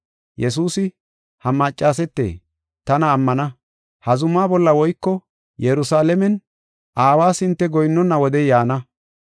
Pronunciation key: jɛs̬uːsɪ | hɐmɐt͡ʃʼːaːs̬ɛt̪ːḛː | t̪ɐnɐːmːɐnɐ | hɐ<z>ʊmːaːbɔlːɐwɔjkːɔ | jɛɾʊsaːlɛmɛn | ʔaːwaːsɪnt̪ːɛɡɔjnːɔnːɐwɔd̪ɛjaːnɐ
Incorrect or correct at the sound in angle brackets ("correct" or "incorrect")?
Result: correct